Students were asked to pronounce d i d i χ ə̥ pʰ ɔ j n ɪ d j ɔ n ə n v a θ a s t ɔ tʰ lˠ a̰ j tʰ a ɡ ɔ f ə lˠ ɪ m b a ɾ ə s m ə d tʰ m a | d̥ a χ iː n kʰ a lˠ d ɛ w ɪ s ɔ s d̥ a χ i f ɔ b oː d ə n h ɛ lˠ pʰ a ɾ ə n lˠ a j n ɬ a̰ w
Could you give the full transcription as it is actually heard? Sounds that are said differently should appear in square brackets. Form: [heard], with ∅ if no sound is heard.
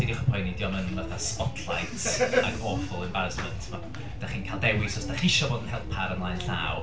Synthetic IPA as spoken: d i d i χ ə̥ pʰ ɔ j n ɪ d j ɔ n ə n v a θ a s [p] ɔ tʰ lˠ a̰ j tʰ a ɡ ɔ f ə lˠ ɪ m b a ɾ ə s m ə [n] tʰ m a | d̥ a χ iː n kʰ a lˠ d ɛ w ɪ s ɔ s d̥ a χ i [ʃ] ɔ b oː d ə n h ɛ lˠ pʰ a ɾ ə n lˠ a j n ɬ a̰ w